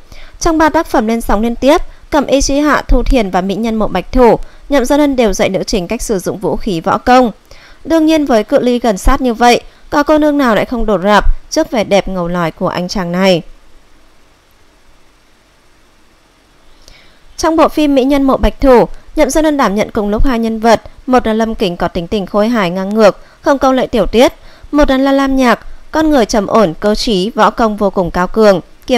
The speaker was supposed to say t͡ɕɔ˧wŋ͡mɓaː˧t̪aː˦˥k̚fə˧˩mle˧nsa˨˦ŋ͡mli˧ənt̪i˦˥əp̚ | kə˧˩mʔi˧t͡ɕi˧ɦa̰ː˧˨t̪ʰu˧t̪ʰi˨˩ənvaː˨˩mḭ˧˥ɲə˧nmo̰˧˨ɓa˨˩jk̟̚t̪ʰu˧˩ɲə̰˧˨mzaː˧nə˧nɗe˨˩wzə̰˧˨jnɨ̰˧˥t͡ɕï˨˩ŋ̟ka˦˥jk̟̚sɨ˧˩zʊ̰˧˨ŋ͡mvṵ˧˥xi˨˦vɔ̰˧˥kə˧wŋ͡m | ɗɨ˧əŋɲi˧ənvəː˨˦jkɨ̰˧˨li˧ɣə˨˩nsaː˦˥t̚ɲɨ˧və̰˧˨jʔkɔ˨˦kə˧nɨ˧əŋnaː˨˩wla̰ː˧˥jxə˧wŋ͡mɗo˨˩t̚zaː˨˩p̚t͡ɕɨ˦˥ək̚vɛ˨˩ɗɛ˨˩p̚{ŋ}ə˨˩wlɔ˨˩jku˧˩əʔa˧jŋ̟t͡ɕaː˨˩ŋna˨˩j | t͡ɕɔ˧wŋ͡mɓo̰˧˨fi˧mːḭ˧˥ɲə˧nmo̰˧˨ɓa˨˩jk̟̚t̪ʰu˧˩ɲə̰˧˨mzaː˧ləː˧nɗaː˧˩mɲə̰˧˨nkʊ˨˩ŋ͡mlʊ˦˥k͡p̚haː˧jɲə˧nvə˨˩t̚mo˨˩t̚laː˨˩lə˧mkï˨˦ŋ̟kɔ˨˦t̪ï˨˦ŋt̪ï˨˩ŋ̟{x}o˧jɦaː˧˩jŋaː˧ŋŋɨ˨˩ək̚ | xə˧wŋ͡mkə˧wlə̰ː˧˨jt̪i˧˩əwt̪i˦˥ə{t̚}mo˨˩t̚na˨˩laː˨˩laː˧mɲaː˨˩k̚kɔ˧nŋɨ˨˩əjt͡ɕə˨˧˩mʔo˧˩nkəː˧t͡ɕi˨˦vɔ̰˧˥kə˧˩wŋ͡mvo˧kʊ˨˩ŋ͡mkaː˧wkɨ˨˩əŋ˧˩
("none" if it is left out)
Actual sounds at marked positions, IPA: ŋ, x, t̚

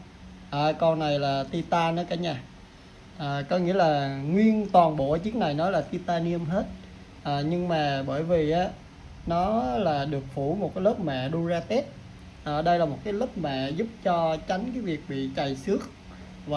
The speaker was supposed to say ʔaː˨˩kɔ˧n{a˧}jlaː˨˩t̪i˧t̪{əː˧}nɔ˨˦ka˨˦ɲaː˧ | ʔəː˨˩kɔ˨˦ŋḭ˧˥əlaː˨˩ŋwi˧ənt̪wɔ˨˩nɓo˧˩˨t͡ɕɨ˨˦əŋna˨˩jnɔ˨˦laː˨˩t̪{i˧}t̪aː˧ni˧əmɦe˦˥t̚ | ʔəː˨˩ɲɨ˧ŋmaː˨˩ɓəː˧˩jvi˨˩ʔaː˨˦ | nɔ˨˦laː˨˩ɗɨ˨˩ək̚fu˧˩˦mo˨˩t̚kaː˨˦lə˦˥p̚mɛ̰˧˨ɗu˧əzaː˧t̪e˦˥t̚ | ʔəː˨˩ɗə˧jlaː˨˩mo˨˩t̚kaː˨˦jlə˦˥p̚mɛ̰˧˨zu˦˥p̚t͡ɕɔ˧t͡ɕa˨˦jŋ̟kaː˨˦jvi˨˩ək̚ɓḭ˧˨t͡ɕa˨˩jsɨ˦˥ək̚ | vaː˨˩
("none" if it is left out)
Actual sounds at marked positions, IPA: a˨˩, aː˧, i˧

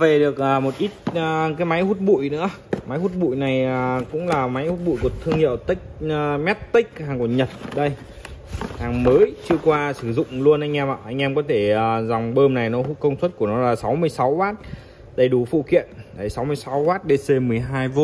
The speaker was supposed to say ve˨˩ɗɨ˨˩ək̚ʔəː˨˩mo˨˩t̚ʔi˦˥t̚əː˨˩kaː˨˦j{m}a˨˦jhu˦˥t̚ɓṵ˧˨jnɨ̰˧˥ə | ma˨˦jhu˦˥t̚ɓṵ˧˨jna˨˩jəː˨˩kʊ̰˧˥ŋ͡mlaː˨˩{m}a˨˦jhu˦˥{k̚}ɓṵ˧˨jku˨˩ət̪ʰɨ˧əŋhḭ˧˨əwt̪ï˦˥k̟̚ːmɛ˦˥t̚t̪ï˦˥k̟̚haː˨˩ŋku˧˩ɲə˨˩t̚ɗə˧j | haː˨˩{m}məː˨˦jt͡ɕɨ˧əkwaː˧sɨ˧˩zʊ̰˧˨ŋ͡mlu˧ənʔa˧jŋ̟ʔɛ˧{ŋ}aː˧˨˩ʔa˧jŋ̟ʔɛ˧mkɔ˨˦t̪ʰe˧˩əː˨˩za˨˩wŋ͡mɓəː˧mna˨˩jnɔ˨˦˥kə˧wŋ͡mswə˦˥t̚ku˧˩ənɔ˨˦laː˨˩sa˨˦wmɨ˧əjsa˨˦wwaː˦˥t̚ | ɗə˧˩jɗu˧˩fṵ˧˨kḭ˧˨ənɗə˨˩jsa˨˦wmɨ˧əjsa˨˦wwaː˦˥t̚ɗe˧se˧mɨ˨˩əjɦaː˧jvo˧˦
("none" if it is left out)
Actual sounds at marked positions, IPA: m, m, t̚, ŋ, m

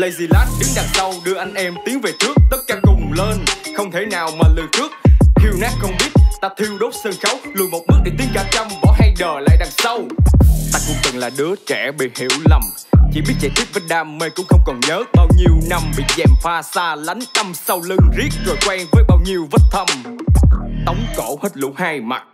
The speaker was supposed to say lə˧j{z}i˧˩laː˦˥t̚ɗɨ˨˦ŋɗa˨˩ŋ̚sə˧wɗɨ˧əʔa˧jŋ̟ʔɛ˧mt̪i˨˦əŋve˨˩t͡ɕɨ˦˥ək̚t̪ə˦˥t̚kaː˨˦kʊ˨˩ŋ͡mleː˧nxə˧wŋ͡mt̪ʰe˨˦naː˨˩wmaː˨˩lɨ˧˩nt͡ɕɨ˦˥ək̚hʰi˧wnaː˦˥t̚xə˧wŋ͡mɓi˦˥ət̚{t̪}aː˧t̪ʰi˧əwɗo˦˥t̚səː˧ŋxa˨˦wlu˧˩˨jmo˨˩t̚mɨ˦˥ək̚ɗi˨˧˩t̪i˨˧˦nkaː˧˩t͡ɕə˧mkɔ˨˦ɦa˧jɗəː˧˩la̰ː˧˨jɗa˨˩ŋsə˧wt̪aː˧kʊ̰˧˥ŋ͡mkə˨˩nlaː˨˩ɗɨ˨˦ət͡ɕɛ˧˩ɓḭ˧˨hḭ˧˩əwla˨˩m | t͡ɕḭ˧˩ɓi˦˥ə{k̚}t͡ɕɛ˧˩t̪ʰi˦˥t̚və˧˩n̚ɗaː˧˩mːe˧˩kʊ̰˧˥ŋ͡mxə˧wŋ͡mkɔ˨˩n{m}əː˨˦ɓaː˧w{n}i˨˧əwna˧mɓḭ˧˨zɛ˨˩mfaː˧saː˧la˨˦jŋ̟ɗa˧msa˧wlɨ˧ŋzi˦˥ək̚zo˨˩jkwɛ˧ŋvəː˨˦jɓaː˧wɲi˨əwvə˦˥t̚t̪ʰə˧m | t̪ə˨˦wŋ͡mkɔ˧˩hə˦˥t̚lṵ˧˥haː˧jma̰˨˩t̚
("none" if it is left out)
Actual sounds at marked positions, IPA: z, t̪, t̚, ɲ, ɲ

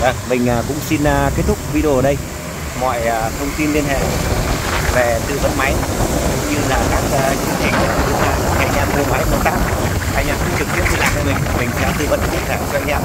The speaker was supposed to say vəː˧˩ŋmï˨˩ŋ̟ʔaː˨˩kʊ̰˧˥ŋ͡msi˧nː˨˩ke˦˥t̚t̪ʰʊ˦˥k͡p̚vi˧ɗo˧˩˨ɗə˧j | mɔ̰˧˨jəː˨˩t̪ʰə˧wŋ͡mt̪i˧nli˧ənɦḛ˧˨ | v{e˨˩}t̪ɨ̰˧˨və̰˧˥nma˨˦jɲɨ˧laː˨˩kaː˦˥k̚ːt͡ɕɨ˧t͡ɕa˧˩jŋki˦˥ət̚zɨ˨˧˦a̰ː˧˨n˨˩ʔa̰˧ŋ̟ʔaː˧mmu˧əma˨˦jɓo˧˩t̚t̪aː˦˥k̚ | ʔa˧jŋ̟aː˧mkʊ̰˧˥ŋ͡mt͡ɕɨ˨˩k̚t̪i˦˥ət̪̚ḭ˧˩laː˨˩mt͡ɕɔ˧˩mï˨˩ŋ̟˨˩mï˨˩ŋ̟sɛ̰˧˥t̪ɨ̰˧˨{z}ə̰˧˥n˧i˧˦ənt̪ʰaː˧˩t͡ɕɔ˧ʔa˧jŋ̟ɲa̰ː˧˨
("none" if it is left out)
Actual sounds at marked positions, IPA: e˨˩, v

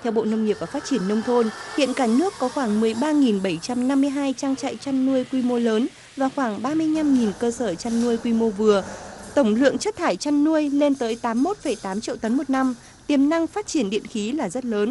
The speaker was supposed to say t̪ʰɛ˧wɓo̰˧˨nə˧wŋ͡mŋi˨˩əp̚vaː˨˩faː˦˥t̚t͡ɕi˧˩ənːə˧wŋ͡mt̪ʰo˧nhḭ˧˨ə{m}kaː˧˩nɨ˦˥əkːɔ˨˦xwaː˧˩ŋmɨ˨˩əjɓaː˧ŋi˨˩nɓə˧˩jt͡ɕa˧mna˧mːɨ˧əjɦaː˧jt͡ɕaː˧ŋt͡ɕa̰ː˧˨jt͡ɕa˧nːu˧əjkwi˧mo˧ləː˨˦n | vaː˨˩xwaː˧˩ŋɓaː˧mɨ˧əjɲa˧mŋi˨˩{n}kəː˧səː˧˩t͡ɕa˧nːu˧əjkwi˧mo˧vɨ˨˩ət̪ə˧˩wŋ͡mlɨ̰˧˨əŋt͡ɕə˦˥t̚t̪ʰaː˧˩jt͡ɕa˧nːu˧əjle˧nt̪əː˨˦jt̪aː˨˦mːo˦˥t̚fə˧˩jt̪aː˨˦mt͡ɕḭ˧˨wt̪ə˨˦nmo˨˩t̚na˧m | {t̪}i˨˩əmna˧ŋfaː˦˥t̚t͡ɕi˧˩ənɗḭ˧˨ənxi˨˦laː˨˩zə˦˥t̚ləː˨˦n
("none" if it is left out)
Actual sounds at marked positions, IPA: n, n, t̪

